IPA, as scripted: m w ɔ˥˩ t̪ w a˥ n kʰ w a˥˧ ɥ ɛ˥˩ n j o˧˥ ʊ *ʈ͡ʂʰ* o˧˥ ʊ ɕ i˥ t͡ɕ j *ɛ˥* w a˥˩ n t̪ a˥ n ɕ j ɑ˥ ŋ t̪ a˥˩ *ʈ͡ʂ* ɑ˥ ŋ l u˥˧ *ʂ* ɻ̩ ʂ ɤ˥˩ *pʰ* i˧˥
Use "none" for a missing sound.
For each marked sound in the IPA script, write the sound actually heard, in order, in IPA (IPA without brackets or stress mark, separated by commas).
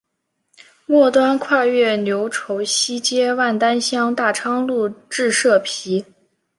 ʈ͡ʂʰ, ɛ˥, ʈ͡ʂʰ, ʈ͡ʂ, pʰ